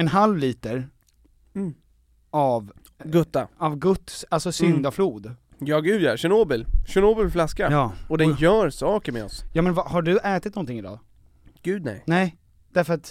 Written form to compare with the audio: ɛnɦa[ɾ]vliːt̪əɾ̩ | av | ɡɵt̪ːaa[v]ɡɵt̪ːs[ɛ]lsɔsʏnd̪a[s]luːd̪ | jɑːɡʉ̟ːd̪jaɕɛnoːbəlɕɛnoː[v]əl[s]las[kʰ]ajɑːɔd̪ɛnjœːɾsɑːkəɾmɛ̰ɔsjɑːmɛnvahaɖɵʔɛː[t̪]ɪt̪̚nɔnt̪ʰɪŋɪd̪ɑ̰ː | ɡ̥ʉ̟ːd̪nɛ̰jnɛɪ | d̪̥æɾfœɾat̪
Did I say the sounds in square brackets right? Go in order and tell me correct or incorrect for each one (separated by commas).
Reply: incorrect, correct, incorrect, incorrect, incorrect, incorrect, incorrect, correct